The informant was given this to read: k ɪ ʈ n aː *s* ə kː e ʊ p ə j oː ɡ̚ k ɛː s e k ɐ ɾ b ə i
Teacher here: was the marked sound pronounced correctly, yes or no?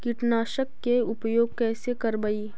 no